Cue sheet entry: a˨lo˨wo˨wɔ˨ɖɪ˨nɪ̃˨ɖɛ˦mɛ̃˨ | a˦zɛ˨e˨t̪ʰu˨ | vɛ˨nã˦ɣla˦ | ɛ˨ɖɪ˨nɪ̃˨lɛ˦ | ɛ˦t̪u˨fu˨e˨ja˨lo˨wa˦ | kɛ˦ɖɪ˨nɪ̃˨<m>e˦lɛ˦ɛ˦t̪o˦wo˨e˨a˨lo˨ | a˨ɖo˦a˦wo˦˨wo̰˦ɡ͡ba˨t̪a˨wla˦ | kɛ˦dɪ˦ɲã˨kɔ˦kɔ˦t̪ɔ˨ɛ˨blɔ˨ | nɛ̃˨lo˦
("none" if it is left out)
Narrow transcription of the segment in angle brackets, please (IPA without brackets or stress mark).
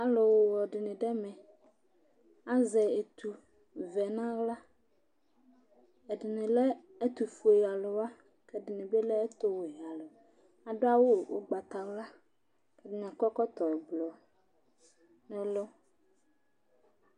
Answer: b